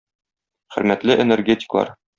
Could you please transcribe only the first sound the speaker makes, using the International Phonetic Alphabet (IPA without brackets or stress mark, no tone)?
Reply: χ